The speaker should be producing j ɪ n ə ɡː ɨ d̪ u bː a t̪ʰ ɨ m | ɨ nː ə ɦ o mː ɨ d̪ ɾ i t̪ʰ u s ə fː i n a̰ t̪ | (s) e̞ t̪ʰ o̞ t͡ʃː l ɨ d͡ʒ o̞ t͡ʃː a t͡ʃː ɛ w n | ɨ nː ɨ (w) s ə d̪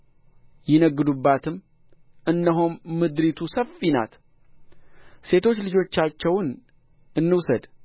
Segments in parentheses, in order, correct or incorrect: correct, correct

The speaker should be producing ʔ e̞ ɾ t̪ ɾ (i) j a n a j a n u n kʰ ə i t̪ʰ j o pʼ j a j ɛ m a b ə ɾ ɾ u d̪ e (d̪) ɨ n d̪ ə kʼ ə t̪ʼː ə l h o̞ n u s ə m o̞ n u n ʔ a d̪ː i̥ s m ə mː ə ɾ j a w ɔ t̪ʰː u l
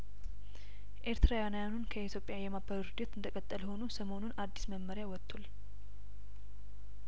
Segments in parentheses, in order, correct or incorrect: incorrect, incorrect

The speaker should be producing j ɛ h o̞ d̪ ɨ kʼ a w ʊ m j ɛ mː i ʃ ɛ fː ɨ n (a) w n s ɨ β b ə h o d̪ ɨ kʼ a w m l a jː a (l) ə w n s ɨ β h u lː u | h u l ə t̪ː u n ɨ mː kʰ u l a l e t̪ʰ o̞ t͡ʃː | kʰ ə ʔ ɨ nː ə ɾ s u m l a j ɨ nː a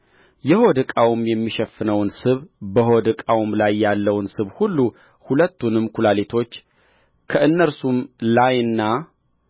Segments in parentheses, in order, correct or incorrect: incorrect, incorrect

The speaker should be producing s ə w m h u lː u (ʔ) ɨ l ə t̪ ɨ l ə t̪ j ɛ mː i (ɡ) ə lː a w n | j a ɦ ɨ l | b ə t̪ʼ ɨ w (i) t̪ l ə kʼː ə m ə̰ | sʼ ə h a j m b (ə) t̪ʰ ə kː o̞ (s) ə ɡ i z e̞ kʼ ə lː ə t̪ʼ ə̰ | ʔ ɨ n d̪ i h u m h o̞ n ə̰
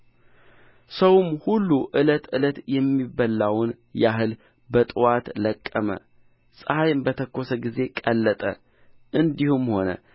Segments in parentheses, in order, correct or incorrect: correct, incorrect, incorrect, correct, correct

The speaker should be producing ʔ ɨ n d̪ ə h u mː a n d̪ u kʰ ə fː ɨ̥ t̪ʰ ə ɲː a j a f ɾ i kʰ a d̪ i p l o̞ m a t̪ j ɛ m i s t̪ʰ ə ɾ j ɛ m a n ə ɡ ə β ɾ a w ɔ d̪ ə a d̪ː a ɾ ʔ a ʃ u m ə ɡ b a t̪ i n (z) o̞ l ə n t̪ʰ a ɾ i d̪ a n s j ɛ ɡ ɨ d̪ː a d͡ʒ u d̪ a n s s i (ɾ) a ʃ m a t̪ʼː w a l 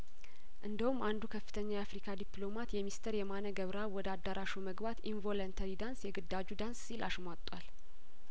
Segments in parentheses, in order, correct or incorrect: incorrect, incorrect

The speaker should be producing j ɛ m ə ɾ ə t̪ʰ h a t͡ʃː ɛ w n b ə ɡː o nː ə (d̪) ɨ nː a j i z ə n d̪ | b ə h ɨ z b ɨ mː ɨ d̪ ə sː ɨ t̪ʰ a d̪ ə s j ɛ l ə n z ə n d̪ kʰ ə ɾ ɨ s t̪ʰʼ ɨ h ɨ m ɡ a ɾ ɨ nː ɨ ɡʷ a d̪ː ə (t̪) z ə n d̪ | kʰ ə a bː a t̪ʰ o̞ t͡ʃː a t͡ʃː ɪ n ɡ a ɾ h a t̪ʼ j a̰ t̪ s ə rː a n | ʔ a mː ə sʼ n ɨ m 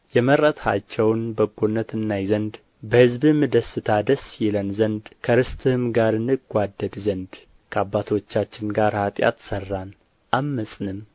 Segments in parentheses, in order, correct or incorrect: incorrect, incorrect

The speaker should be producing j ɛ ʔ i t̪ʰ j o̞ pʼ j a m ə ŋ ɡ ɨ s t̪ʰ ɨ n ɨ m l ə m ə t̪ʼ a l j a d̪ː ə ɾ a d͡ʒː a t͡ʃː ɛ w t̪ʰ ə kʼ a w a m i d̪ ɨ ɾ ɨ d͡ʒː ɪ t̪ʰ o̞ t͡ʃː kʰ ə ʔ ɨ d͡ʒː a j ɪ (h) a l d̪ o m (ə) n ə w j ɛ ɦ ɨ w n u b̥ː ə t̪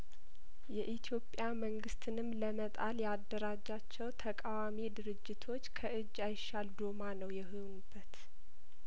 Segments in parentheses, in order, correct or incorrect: incorrect, incorrect

